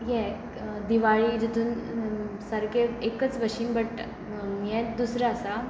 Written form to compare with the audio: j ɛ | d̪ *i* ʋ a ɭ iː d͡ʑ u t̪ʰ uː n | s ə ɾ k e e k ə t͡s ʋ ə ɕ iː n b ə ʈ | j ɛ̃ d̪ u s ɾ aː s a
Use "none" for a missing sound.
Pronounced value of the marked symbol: i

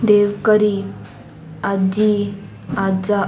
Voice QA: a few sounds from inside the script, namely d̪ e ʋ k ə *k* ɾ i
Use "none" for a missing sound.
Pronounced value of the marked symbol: none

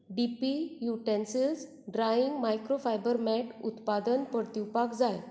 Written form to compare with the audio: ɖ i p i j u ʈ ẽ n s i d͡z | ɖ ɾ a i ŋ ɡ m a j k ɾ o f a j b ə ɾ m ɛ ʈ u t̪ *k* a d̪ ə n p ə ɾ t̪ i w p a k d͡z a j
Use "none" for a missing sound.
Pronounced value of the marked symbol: p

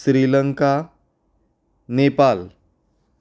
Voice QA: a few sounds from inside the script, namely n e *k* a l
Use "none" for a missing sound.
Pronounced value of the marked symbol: p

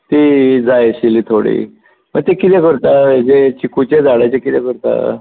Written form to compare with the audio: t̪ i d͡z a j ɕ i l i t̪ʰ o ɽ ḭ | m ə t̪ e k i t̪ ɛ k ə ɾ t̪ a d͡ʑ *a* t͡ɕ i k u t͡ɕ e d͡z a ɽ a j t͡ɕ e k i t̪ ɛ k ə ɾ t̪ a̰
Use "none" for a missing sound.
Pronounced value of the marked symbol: e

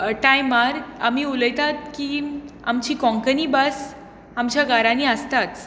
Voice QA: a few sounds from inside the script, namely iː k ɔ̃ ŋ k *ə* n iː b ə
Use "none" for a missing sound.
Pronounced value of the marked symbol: ə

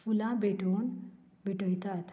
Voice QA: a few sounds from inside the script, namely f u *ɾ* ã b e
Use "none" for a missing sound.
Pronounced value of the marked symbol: l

